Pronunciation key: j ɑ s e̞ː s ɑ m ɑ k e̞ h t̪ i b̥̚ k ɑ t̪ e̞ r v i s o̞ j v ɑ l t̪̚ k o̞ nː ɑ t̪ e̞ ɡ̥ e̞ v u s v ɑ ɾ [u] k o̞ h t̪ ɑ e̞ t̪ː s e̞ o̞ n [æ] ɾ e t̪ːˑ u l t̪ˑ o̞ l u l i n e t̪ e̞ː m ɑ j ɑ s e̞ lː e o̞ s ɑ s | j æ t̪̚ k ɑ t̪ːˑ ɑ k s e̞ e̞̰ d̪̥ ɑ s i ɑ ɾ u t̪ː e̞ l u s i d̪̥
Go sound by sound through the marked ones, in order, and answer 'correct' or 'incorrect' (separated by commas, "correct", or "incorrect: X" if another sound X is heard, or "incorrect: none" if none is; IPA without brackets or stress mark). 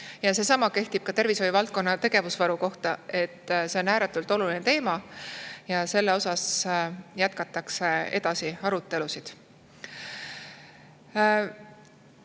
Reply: correct, incorrect: æː